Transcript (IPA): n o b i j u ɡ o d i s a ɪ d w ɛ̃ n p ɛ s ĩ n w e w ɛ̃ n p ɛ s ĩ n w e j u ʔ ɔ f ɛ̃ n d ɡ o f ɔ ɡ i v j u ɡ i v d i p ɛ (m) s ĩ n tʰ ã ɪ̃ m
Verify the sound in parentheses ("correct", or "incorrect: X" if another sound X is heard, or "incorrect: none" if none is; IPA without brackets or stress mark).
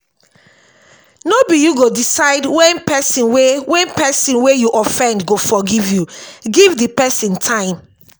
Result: incorrect: none